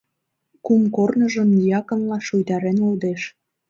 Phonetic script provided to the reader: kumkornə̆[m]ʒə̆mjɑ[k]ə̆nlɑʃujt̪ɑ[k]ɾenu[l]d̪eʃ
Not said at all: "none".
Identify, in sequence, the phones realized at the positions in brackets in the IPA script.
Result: none, k, none, l

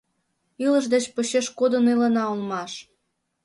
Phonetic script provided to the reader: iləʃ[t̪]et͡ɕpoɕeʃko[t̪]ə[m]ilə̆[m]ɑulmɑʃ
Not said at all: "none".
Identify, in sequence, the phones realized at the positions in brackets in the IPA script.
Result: d̪, d̪, n, n

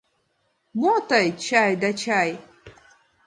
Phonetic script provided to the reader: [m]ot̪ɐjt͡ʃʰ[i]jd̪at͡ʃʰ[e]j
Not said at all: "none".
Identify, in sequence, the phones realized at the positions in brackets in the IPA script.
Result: m, a, a

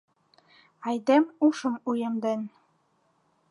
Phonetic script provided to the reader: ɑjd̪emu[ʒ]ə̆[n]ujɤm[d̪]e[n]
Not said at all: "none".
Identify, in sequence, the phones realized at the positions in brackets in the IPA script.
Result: ʃ, m, d̪, n

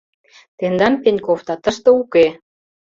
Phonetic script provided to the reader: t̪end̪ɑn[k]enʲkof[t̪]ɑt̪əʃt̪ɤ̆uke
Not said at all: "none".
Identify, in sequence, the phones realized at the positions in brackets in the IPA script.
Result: p, t̪

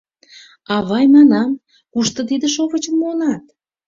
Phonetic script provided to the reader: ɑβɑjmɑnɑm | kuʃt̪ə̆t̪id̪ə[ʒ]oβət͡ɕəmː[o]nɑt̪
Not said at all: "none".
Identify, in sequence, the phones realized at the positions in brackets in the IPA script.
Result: ʃ, o

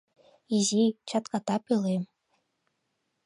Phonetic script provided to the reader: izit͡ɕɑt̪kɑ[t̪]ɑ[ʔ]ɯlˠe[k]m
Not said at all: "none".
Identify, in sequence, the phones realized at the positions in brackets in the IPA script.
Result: t̪, p, none

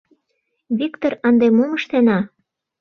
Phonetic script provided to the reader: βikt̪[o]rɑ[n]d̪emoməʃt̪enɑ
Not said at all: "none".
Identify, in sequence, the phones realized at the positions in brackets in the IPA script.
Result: o, n

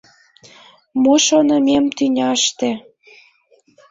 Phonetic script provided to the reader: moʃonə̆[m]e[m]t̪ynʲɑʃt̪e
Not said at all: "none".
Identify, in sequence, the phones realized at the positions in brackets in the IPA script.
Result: m, m

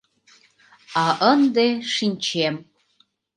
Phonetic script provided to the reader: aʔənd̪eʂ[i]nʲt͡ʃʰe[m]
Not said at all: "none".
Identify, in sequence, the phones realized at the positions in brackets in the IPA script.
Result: i, m

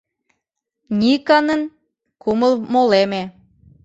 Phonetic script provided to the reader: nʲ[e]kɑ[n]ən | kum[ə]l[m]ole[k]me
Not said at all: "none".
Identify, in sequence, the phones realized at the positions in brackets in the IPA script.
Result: i, n, ə, m, none

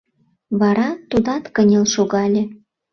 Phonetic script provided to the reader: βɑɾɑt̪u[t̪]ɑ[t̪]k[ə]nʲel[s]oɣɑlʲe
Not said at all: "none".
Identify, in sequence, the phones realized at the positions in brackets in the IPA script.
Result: d̪, t̪, ə, ʃ

